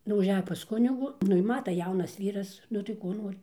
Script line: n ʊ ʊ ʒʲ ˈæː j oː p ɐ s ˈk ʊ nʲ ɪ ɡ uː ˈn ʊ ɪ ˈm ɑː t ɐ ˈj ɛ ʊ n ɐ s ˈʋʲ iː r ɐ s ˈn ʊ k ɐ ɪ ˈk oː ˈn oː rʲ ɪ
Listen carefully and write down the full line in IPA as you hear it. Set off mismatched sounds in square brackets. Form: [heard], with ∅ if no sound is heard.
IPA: n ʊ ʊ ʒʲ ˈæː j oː p ɐ s ˈk ʊ nʲ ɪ ɡ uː ˈn ʊ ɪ ˈm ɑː t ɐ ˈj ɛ ʊ n ɐ s ˈʋʲ iː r ɐ s ˈn ʊ [t] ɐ ɪ ˈk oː ˈn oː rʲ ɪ